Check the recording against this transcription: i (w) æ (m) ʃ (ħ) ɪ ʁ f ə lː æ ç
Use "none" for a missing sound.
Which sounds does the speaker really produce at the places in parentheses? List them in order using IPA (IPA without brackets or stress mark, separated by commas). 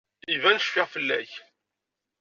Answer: v, n, f